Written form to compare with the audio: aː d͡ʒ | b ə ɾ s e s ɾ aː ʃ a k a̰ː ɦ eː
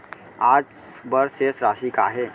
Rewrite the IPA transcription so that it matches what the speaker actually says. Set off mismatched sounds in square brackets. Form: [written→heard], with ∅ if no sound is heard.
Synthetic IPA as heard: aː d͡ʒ | b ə ɾ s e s ɾ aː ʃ [a→i] k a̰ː ɦ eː